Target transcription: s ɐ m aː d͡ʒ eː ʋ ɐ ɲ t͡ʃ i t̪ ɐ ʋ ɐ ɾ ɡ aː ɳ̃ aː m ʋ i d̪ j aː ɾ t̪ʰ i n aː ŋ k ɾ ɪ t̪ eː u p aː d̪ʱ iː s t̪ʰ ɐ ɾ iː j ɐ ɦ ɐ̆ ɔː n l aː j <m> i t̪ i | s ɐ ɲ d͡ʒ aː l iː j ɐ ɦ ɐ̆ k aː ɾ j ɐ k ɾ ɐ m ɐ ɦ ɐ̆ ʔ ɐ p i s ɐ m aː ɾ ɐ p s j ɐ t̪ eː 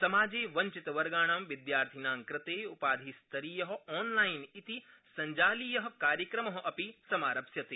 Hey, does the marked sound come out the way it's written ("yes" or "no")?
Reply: no